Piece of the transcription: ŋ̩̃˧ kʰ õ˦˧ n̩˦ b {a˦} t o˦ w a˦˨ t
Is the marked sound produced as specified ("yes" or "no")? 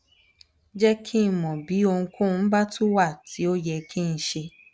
yes